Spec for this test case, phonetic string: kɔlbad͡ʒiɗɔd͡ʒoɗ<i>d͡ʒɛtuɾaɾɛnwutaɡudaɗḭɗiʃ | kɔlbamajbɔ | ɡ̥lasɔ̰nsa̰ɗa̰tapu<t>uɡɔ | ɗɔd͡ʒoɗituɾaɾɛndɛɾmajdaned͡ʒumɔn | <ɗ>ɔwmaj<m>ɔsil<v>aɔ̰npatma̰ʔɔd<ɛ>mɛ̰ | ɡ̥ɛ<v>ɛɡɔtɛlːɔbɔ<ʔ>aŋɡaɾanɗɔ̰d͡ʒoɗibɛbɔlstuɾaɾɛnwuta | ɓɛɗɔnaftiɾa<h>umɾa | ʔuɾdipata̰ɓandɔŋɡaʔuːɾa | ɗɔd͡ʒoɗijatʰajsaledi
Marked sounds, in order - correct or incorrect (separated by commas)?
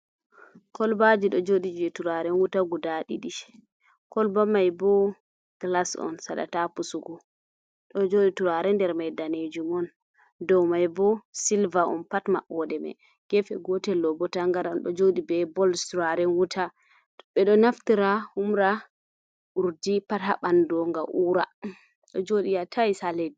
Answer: correct, incorrect, incorrect, incorrect, correct, correct, incorrect, incorrect, correct